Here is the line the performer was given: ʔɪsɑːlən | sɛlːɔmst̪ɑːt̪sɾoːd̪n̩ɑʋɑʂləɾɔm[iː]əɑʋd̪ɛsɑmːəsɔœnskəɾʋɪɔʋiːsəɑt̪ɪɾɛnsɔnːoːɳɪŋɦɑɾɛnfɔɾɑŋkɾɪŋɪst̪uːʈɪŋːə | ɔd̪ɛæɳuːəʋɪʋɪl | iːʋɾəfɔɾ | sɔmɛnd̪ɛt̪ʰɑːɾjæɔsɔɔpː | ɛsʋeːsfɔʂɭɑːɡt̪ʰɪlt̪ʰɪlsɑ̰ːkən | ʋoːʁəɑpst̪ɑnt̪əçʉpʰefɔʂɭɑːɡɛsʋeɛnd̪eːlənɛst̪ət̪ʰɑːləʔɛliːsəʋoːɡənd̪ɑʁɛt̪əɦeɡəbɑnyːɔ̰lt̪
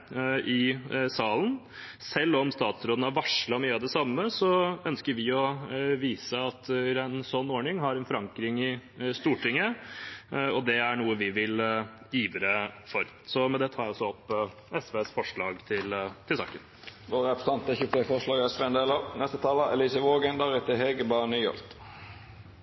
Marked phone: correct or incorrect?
incorrect